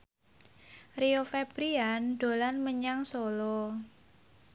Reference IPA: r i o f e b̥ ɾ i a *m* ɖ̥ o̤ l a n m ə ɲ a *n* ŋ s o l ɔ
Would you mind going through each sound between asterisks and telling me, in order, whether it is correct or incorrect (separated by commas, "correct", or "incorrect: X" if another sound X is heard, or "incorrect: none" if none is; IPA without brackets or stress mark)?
incorrect: n, incorrect: none